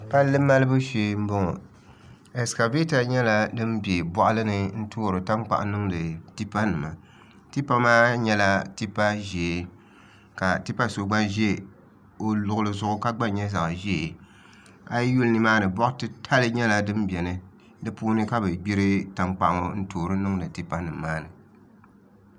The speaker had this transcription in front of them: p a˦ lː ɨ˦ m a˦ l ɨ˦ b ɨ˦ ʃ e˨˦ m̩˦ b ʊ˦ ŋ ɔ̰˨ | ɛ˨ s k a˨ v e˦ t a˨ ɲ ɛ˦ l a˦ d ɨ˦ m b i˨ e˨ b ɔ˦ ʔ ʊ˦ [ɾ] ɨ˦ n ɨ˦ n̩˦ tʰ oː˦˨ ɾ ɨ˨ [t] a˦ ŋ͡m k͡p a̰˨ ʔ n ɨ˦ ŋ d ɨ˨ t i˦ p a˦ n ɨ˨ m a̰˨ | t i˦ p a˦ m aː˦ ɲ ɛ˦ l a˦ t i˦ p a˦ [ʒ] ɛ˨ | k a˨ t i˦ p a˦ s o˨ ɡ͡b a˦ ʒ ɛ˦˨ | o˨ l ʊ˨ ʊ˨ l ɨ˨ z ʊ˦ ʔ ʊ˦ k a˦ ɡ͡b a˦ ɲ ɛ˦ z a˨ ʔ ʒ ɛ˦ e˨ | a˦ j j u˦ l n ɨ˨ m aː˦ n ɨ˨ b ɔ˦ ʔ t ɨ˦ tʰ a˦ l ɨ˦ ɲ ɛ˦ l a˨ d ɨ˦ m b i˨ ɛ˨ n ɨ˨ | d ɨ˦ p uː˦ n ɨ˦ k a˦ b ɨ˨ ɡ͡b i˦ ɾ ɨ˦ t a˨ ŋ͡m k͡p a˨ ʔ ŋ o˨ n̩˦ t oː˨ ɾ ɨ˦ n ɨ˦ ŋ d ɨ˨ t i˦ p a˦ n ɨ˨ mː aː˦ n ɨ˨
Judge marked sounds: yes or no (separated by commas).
no, yes, yes